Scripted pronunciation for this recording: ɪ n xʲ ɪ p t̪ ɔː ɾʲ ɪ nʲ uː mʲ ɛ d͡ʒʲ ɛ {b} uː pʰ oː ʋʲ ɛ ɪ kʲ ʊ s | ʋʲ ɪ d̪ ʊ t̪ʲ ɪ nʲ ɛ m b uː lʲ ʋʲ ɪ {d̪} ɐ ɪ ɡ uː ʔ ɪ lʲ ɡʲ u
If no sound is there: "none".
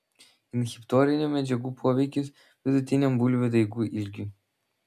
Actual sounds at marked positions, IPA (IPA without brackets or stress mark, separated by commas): ɡ, d̪